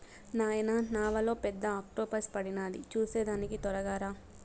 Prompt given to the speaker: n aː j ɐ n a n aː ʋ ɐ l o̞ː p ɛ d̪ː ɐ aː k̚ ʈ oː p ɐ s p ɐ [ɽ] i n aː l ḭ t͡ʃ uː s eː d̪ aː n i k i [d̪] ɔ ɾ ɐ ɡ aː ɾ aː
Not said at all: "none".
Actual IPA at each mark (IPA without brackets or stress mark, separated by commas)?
ɽ, t̪